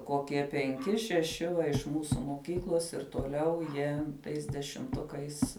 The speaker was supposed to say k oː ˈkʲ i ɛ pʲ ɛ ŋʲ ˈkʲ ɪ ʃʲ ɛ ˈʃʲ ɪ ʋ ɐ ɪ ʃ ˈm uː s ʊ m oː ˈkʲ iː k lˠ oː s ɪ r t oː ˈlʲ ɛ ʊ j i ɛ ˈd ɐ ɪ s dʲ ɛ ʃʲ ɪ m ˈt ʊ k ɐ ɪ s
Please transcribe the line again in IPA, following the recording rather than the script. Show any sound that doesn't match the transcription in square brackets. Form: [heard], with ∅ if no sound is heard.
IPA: k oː ˈkʲ i ɛ pʲ ɛ ŋʲ ˈkʲ ɪ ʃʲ ɛ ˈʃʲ ɪ ʋ ɐ ɪ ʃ ˈm uː s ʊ m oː ˈkʲ iː k lˠ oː s ɪ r t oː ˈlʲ ɛ ʊ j i ɛ [ˈt] ɐ ɪ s dʲ ɛ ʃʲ ɪ m ˈt ʊ k ɐ ɪ s